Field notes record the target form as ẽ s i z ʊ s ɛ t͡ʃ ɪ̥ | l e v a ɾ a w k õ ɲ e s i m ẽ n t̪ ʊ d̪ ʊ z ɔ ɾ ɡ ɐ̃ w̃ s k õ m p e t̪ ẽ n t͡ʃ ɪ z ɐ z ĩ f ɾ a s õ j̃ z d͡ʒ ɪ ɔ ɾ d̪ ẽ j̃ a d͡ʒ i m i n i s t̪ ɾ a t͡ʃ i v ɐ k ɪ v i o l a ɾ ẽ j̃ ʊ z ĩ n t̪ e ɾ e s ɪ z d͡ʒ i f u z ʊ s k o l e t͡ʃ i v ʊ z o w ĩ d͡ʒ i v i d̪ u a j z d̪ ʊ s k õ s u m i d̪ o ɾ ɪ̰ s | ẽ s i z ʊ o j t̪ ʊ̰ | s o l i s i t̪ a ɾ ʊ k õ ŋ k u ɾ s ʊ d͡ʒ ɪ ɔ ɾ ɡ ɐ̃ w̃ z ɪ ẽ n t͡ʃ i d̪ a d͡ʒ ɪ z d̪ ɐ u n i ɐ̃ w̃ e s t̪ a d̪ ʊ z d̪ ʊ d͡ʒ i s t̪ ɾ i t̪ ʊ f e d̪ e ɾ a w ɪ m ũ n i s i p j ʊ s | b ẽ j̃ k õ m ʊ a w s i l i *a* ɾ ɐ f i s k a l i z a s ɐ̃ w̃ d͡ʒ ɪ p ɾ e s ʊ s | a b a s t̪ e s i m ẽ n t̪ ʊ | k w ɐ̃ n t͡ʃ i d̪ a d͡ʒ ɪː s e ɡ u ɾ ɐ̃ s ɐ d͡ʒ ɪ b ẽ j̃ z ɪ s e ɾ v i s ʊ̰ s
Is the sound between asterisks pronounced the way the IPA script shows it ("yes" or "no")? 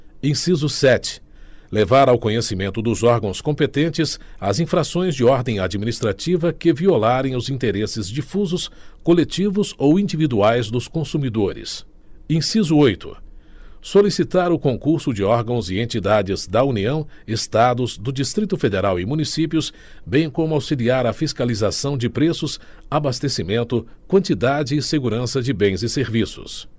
yes